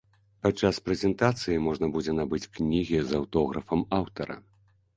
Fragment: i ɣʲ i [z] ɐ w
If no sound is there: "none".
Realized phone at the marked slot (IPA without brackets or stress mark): z